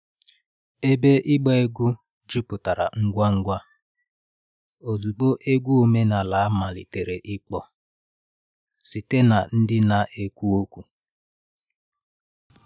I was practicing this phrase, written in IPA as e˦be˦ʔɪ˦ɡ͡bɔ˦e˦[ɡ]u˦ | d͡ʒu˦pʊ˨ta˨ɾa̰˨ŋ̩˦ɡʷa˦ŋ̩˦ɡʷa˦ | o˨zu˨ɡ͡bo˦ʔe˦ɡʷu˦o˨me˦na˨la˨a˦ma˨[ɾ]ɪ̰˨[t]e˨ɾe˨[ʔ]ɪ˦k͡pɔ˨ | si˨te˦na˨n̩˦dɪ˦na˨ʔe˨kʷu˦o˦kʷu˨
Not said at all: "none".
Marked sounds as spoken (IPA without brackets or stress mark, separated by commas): ɡ, l, t, ʔ